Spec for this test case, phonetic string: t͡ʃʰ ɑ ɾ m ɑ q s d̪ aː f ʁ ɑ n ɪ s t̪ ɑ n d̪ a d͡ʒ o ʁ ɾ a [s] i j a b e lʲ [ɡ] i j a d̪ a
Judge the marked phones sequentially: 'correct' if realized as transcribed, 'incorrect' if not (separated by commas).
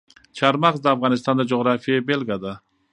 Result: incorrect, correct